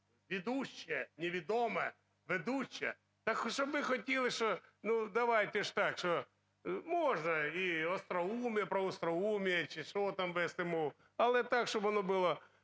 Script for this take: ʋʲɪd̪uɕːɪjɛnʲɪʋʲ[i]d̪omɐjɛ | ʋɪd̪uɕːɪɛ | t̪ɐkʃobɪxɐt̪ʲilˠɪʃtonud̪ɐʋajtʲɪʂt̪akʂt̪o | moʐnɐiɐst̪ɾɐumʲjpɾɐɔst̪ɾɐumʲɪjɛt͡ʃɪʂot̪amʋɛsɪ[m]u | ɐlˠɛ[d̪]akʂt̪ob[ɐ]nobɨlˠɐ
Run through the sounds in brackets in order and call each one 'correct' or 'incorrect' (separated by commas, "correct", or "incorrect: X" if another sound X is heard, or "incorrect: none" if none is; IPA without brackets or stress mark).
incorrect: ɪ, correct, incorrect: t̪, correct